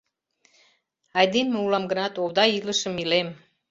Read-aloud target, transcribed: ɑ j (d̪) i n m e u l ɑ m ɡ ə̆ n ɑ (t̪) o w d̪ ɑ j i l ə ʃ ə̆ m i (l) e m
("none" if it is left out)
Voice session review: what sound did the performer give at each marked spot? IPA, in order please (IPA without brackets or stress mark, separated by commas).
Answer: d̪, t̪, l